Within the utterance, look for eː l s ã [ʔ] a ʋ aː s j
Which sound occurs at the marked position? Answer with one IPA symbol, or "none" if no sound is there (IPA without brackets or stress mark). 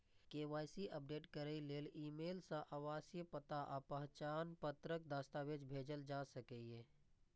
ʔ